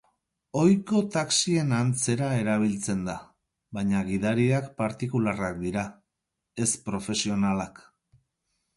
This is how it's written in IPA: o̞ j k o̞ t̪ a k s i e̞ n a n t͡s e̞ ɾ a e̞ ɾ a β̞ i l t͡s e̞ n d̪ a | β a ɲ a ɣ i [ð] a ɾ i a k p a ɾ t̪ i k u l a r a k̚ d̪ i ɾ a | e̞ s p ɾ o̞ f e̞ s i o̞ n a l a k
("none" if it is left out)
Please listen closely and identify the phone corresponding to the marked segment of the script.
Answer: ð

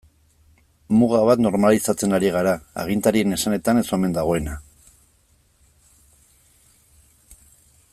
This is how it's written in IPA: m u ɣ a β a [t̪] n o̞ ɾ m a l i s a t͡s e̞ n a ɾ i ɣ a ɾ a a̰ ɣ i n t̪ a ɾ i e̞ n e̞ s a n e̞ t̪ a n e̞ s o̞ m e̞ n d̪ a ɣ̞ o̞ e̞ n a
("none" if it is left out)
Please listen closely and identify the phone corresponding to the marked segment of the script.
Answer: t̪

